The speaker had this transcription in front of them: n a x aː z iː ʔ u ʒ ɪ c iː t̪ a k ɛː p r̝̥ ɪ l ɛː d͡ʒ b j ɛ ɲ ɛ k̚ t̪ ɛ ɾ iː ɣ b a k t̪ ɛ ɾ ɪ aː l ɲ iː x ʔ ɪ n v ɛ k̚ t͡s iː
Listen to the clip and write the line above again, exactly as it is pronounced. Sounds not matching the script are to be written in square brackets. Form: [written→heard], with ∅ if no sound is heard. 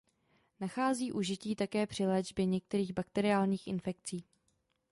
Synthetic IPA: n a x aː z iː ʔ u ʒ ɪ c iː t̪ a k ɛː p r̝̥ ɪ l ɛː d͡ʒ b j ɛ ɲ ɛ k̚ t̪ ɛ ɾ iː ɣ b a k t̪ ɛ ɾ ɪ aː l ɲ iː x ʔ ɪ n [v→f] ɛ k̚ t͡s iː